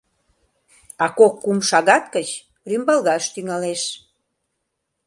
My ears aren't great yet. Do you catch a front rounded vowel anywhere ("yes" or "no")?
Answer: yes